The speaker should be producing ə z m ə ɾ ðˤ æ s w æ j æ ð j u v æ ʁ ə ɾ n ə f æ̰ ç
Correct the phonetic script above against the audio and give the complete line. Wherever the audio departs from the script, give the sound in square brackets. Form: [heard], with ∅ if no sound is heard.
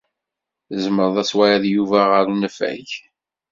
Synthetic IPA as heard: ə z m ə ɾ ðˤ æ s w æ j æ ð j u v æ ʁ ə ɾ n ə f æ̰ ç